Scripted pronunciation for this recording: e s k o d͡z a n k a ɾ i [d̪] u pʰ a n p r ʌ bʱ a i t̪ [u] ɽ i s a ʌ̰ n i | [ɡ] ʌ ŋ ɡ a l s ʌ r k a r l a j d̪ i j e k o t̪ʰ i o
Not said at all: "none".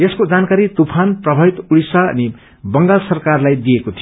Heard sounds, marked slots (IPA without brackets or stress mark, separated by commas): t̪, u, b